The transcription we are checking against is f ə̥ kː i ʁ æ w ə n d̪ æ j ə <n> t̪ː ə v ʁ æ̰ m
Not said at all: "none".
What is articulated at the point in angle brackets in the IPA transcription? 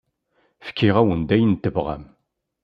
n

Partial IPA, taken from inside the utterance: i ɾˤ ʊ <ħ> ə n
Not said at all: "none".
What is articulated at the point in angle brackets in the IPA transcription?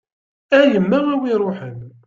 ħ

